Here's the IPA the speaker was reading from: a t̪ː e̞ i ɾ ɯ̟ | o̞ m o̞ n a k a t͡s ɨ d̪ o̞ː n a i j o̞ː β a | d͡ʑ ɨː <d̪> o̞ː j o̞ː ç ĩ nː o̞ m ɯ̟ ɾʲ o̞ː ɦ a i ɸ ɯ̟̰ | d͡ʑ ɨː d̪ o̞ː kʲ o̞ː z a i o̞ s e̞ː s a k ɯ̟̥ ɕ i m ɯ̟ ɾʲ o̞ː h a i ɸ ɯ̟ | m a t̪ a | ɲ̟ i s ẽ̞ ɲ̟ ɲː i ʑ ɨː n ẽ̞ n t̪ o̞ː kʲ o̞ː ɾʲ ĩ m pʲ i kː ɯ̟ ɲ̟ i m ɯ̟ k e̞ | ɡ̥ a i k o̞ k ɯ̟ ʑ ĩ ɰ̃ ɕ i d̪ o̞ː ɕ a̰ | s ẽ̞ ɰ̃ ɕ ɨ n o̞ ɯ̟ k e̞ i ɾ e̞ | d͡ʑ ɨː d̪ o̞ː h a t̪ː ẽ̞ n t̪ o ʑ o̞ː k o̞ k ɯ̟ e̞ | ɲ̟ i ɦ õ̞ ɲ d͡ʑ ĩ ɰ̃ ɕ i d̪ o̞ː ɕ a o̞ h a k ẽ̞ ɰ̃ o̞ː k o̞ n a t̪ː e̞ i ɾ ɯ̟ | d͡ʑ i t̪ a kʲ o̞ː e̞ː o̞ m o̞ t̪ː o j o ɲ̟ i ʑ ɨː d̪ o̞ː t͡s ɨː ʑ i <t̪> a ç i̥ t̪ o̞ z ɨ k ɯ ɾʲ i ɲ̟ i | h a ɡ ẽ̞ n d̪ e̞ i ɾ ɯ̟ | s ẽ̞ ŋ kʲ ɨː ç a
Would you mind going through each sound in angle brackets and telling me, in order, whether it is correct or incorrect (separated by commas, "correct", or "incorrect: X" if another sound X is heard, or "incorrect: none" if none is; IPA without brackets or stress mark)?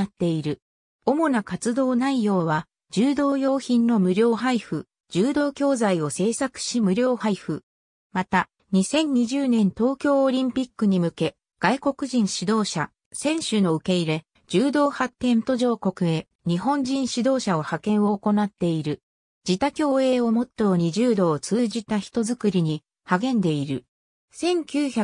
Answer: correct, correct